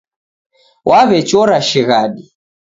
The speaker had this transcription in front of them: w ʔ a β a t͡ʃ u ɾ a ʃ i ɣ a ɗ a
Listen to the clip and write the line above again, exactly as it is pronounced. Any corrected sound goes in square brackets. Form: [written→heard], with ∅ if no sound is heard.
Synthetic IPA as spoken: w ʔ a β [a→ɛ] t͡ʃ [u→ɔ] ɾ a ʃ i ɣ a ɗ [a→i]